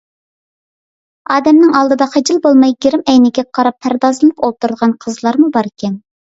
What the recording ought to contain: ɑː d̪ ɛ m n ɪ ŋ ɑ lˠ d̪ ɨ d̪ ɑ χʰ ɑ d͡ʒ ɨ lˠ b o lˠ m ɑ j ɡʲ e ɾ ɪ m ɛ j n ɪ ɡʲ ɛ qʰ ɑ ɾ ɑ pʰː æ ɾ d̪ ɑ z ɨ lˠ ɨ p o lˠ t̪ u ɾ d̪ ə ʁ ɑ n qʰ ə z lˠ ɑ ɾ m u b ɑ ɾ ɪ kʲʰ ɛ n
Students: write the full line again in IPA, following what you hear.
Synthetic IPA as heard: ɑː d̪ ɛ m n ɪ ŋ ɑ lˠ d̪ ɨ d̪ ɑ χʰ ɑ d͡ʒ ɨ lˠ b o lˠ m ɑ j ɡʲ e ɾ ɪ m ɛ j n ɪ ɡʲ ɛ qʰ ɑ ɾ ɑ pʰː æ ɾ d̪ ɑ z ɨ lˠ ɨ p o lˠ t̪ u ɾ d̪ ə ʁ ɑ n qʰ ə z lˠ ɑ ɾ m u b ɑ ɾ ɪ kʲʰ ɛ n